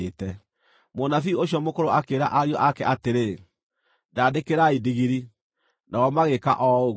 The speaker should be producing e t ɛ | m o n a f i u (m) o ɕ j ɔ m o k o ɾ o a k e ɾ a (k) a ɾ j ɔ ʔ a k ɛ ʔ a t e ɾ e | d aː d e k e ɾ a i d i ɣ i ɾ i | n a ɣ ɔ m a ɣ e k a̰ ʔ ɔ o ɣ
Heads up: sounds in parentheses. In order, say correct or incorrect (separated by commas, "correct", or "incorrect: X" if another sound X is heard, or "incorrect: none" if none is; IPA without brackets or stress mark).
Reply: incorrect: none, incorrect: ʔ